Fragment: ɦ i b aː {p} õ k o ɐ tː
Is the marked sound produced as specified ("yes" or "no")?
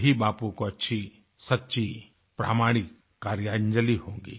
yes